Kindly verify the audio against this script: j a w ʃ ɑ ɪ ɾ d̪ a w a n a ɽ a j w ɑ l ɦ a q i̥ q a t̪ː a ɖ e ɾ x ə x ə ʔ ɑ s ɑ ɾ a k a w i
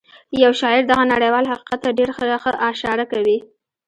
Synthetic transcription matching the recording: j a w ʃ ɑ ɪ ɾ d̪ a ɣ a n a ɽ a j w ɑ l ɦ a q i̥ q a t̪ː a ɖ e ɾ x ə x ə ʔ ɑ ʃ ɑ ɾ a k a w i